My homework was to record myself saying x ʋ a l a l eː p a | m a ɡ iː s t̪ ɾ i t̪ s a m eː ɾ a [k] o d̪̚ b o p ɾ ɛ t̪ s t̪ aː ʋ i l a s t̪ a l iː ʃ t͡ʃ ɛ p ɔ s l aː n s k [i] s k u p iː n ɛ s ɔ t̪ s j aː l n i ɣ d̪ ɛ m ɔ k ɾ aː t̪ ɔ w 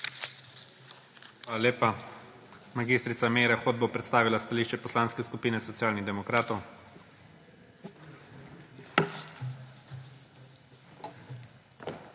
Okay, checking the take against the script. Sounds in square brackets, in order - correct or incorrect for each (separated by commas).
incorrect, incorrect